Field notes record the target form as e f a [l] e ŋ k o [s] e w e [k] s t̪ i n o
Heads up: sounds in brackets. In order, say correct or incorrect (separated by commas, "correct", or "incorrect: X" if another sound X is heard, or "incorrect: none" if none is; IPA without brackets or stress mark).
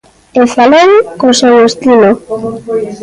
correct, correct, incorrect: none